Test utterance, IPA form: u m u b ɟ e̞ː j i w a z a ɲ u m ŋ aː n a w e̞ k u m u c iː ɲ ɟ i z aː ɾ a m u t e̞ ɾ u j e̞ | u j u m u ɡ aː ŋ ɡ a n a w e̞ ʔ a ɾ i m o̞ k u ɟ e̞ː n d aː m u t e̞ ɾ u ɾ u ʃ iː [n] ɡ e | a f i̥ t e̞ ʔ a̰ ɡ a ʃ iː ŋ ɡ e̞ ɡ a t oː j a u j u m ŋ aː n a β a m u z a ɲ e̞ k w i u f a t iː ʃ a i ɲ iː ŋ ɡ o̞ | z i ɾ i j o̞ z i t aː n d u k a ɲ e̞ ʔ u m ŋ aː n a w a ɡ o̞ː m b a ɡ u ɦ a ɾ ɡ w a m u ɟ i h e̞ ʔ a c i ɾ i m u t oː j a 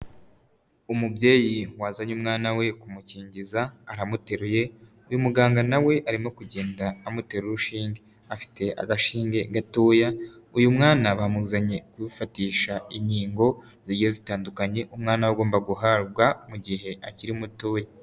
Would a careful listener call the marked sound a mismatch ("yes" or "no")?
yes